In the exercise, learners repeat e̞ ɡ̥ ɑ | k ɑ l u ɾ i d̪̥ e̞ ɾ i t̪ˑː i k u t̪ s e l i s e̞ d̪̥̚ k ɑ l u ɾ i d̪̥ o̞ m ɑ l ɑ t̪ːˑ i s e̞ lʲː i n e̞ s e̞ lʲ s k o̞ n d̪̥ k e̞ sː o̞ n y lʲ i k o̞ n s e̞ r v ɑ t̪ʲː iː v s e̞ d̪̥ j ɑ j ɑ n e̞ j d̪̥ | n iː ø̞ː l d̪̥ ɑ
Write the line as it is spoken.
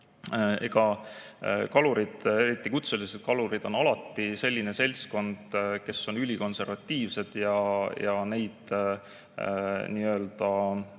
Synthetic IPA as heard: e̞ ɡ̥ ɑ | k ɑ l u ɾ i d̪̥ e̞ ɾ i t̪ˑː i k u t̪ s e l i s e̞ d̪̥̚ k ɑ l u ɾ i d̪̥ o̞ n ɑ l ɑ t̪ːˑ i s e̞ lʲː i n e̞ s e̞ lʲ s k o̞ n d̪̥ k e̞ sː o̞ n y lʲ i k o̞ n s e̞ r v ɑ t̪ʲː iː v s e̞ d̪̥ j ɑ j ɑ n e̞ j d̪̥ | n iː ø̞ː l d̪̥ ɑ